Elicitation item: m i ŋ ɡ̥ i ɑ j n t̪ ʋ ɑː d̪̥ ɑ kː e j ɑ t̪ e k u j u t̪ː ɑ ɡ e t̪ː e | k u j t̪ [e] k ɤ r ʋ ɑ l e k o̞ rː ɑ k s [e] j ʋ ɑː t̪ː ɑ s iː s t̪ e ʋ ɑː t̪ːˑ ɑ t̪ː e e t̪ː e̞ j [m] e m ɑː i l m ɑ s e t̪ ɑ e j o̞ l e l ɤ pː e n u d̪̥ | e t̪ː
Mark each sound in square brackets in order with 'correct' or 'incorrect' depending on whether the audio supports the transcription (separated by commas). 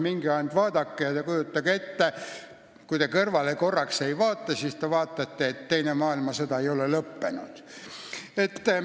correct, correct, incorrect